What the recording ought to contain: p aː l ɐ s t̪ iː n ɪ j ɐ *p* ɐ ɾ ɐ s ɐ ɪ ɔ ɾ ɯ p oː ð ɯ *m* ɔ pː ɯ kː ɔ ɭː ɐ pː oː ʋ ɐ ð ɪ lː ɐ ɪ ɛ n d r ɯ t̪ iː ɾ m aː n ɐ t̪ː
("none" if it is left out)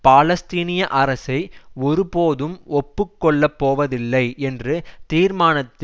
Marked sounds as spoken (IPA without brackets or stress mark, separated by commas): ʔ, m